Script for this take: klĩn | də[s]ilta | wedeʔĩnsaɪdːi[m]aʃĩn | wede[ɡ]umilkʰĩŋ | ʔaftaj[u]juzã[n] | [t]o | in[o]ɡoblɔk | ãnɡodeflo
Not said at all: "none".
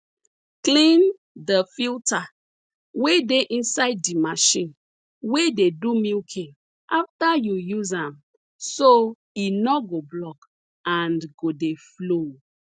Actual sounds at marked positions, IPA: f, m, d, u, m, s, ɔ

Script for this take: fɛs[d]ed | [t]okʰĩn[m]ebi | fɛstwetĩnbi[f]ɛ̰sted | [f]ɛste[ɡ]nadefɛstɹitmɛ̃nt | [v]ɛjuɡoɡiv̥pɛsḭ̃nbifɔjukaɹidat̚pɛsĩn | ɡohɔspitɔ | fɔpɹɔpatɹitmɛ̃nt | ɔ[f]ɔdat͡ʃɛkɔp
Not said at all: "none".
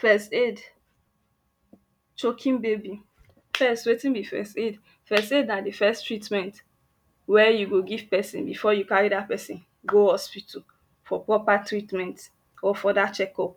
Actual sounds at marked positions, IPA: t, t͡ʃ, b, f, f, d, w, f

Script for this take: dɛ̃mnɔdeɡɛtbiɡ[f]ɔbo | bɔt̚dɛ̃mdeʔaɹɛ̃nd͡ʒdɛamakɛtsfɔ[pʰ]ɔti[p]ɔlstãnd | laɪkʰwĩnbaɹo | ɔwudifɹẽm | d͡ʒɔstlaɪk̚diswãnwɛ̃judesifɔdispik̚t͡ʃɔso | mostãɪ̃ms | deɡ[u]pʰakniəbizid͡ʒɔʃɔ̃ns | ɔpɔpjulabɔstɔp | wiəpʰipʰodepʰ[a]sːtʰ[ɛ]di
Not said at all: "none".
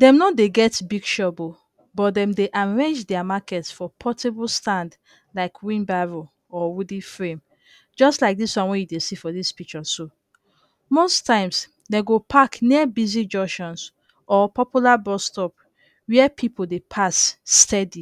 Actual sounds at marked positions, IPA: ʃ, pʰ, b, o, a, ɛ

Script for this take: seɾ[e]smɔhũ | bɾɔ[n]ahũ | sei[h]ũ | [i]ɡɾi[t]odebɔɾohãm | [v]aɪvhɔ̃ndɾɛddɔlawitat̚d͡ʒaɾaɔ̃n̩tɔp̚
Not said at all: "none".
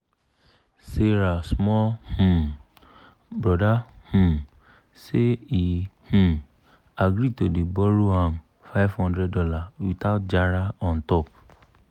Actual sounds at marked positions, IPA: a, d, h, a, t, f

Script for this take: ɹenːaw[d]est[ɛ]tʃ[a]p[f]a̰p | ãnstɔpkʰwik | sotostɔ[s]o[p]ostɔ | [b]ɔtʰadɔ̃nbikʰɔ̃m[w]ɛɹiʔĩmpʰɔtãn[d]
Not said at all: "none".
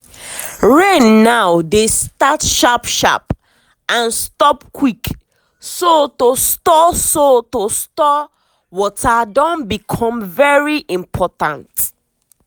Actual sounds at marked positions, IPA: d, a, a, ʃ, s, t, w, v, t

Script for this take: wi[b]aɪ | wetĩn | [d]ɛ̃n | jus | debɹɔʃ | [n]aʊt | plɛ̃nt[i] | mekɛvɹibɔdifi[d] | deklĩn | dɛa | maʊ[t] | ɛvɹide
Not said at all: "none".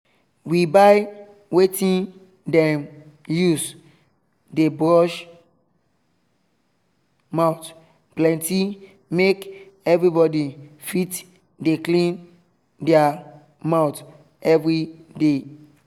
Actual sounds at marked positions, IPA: b, d, m, i, t, t

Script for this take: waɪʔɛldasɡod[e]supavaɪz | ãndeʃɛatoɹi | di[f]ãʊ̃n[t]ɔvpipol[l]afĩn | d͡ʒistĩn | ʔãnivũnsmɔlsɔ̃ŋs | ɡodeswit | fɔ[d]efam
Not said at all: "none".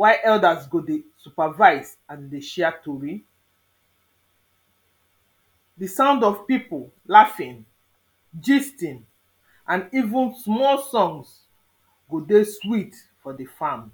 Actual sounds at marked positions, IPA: e, s, d, l, d

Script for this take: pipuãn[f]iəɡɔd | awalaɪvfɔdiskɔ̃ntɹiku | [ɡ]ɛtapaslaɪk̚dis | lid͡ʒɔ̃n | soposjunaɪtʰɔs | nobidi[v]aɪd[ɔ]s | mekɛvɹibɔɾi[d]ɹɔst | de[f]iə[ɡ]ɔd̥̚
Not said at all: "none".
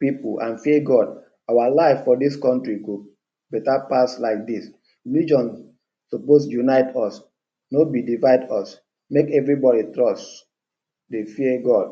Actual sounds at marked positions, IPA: f, b, v, ɔ, t, f, ɡ

